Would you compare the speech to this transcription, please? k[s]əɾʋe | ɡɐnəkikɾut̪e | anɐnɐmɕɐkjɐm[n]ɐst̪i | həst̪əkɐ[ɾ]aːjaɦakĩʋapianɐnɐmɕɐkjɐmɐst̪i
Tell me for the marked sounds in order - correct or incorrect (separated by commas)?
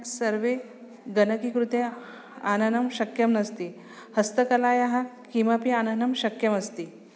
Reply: correct, correct, incorrect